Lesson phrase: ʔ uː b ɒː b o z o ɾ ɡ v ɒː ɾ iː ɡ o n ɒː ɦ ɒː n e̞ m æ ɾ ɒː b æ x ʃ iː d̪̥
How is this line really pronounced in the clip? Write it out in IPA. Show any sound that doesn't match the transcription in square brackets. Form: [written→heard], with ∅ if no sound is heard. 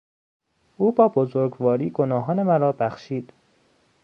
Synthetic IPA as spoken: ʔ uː b ɒː b o z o ɾ ɡ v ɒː ɾ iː ɡ o n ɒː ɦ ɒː n e̞ m æ ɾ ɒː b æ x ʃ iː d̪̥